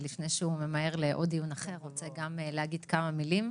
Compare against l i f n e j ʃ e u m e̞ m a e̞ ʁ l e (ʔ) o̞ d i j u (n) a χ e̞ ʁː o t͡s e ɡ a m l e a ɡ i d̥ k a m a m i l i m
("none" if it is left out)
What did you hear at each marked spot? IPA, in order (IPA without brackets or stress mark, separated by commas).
ʔ, n